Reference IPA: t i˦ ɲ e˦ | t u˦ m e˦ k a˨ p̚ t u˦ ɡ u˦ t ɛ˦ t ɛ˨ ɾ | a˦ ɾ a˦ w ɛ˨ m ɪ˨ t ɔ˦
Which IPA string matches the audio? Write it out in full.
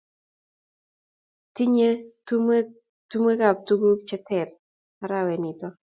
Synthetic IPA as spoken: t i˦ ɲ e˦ | t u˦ m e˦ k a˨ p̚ t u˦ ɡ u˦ t͡ʃ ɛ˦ t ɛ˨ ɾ | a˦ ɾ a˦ w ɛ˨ n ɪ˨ t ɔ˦